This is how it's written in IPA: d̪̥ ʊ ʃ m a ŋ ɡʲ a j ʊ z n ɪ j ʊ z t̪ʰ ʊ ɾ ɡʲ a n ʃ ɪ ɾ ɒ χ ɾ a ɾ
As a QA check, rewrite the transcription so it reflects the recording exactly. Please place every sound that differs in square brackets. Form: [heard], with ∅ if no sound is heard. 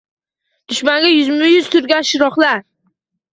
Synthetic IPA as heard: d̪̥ ʊ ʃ m a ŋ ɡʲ a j ʊ z [m] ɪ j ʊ z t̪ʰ ʊ ɾ ɡʲ a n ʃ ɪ ɾ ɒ χ [l] a ɾ